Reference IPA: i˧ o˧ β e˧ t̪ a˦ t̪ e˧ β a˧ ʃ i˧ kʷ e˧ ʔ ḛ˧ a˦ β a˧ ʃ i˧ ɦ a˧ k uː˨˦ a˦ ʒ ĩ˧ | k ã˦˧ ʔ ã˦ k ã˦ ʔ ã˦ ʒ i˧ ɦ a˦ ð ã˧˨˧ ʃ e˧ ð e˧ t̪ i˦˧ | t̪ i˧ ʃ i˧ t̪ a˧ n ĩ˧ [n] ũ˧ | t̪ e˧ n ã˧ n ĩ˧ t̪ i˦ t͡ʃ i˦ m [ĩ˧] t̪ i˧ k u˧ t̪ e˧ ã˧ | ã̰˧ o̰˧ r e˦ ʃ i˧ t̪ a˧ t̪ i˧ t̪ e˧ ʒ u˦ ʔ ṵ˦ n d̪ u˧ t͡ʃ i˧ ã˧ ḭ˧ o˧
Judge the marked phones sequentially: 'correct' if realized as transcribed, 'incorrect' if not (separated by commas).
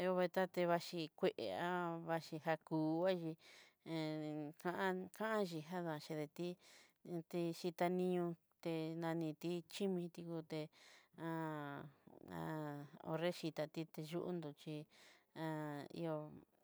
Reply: incorrect, correct